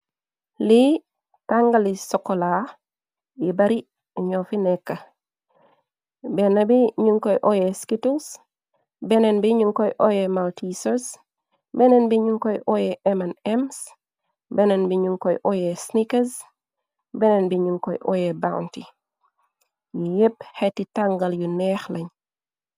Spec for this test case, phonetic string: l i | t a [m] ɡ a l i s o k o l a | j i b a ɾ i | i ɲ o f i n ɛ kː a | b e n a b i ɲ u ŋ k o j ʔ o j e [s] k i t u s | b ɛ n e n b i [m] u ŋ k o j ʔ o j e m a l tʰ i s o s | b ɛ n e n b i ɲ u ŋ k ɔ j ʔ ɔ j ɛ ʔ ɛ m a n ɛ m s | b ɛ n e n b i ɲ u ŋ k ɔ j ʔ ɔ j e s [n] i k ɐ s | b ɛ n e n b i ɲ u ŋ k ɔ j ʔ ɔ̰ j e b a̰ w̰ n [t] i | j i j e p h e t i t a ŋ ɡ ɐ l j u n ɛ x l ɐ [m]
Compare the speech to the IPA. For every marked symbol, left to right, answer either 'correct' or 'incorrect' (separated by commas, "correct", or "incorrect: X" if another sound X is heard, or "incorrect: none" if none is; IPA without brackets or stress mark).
incorrect: ŋ, correct, incorrect: ɲ, correct, correct, incorrect: ɲ